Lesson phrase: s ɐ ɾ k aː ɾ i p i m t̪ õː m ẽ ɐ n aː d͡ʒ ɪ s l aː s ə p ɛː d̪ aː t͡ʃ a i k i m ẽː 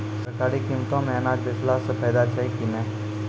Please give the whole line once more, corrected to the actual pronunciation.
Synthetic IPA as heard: s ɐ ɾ k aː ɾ i k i m t̪ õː m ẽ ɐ n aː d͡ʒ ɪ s l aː s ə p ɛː d̪ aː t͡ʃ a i k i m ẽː

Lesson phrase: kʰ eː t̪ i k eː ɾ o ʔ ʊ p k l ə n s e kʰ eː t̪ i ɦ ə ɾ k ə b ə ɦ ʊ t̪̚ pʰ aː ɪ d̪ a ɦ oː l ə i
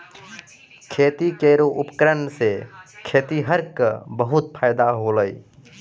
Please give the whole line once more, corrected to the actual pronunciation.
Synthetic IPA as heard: kʰ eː t̪ i k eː ɾ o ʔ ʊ p k ɾ ə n s e kʰ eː t̪ i ɦ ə ɾ k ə b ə ɦ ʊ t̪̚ pʰ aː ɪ d̪ a ɦ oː l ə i

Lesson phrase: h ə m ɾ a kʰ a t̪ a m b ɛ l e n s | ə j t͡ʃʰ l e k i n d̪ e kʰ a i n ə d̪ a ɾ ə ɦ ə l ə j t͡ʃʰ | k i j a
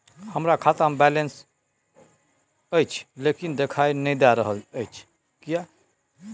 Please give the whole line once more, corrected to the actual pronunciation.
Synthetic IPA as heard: h ə m ɾ a kʰ a t̪ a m b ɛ l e n s | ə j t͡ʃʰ l e k i n d̪ e kʰ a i n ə d̪ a ɾ ə ɦ ə l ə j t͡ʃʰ | k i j a

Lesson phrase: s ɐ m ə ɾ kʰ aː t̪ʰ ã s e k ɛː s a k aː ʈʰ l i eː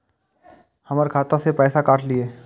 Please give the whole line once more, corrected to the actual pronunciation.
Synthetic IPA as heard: h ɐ m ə ɾ kʰ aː t̪ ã s e p ɛː s a k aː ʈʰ l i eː

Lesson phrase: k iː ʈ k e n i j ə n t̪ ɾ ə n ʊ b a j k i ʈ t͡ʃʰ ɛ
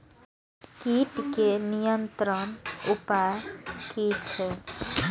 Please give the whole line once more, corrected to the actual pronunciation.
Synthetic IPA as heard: k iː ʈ k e n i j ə n t̪ ɾ ə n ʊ p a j k i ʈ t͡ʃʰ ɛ

